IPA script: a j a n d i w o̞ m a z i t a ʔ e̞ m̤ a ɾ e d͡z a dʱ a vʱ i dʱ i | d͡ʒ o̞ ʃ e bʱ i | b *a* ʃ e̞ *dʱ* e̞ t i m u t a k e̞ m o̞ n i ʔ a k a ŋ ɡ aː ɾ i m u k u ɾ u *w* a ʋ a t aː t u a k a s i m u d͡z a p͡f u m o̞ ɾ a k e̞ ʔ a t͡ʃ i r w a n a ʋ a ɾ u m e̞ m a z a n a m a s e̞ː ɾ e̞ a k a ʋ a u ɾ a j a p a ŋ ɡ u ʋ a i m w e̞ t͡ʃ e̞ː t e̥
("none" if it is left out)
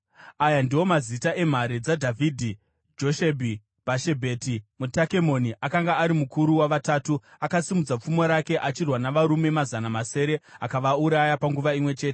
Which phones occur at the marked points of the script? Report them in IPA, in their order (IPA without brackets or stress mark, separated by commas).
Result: a, bʱ, w